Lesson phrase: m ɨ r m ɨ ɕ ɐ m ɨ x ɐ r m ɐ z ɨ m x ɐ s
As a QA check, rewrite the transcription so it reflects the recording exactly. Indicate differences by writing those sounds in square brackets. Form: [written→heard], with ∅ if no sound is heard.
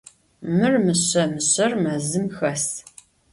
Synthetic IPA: m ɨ r m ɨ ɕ ɐ m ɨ [x→ɕ] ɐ r m ɐ z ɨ m x ɐ s